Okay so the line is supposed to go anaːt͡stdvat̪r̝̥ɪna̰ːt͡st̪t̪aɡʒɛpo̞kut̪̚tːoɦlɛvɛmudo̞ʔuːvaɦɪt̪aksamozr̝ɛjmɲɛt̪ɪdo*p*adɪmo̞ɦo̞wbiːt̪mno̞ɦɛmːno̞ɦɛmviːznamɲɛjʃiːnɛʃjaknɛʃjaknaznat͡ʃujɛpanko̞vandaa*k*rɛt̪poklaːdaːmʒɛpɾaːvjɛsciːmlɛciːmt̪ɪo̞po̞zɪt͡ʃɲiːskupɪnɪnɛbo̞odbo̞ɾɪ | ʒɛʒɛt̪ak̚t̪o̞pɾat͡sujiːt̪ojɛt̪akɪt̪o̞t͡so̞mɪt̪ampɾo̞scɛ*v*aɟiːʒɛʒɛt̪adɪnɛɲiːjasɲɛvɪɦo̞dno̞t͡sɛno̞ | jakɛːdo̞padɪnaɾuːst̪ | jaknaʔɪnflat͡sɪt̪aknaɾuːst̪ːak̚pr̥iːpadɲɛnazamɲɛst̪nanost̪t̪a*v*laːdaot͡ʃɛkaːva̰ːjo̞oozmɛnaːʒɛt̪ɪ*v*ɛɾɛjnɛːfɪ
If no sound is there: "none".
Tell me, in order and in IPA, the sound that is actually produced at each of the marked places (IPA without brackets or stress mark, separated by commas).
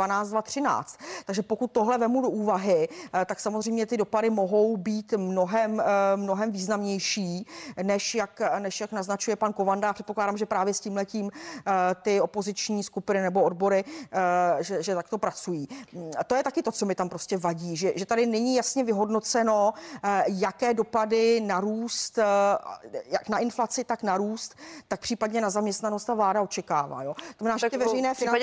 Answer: p, p, v, v, v